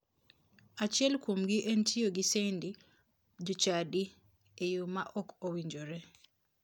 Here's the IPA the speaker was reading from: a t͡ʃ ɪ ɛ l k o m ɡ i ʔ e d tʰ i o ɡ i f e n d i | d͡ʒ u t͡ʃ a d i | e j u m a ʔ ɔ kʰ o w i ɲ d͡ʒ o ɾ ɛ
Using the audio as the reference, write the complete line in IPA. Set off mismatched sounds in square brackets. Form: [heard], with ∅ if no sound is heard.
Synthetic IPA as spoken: a t͡ʃ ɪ ɛ l k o m ɡ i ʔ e [n] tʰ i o ɡ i [s] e n d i | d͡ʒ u t͡ʃ a d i | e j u m a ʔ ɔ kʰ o w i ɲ d͡ʒ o ɾ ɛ